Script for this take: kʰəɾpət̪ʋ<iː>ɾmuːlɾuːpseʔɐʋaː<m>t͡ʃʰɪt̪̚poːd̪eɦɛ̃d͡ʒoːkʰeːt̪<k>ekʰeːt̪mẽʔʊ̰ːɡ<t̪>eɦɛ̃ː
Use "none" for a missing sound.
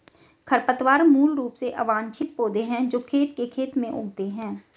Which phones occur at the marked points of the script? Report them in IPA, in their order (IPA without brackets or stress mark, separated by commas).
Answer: aː, n, k, t̪